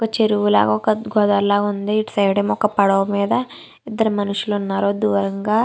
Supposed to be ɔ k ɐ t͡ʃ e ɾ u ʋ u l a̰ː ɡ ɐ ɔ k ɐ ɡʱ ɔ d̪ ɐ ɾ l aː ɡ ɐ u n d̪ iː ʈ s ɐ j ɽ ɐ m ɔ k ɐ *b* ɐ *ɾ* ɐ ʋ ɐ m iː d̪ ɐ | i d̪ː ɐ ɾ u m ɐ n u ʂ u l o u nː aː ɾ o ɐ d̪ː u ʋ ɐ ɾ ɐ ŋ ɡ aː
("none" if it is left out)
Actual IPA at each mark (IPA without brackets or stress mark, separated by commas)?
p, ɽ